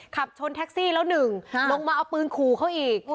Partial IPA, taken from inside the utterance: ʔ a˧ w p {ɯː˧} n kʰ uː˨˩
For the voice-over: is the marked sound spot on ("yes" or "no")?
yes